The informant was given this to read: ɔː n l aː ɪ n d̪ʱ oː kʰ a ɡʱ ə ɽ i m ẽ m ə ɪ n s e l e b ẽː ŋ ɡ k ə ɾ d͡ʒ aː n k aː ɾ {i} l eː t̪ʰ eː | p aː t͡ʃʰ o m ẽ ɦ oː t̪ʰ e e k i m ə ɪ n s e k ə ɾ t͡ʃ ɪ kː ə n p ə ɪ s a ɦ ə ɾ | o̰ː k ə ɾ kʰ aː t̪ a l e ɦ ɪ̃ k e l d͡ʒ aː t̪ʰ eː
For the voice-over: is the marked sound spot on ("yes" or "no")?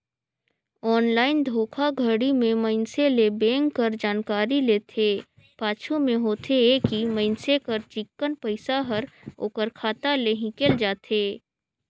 yes